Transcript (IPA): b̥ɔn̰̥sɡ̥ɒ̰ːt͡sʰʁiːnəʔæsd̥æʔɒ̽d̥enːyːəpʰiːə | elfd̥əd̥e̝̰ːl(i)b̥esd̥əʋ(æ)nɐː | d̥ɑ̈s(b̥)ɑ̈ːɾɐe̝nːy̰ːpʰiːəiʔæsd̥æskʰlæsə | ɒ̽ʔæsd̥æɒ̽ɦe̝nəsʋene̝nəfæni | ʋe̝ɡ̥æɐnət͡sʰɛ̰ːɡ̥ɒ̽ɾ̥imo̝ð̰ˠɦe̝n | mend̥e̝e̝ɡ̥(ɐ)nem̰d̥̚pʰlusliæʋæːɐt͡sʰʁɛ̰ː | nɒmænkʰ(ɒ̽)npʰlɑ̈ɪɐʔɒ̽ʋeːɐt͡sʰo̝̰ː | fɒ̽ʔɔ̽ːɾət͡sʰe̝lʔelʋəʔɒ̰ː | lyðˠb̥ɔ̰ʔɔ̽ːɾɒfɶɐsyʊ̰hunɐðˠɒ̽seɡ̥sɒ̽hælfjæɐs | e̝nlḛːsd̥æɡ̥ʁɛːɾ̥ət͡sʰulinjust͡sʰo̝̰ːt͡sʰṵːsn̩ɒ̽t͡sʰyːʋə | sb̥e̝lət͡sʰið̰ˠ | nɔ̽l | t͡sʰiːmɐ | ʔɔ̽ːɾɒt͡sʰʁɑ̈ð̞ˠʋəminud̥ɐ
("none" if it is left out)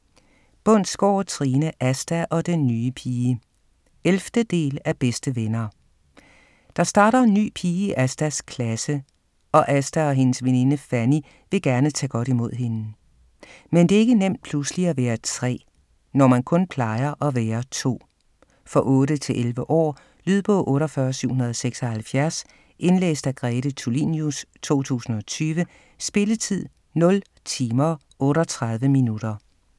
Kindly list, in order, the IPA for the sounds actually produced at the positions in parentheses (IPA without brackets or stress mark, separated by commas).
æ, e, d̥, ə, ɔ̽